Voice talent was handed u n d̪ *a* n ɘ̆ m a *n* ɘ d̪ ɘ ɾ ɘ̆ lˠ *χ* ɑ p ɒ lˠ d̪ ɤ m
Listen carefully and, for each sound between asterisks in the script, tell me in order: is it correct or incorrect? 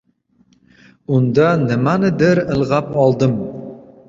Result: incorrect, correct, incorrect

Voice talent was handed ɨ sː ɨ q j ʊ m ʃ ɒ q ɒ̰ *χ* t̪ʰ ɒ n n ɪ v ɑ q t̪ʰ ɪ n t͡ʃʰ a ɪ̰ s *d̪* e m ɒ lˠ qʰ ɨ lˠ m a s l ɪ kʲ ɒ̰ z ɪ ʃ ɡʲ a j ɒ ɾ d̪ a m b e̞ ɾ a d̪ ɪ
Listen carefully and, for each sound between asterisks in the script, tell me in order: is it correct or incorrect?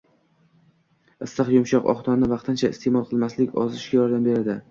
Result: correct, incorrect

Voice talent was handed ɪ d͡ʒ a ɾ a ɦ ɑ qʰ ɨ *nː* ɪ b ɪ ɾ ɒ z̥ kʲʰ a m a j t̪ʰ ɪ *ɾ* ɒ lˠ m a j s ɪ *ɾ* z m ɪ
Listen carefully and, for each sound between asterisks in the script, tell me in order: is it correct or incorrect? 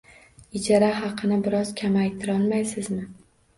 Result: incorrect, correct, incorrect

